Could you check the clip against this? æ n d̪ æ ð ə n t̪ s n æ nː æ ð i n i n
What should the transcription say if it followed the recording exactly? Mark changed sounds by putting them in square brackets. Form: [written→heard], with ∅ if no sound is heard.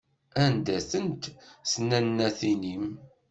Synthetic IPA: æ n d̪ æ [ð→θ] ə n t̪ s n æ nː æ [ð→θ] i n i [n→m]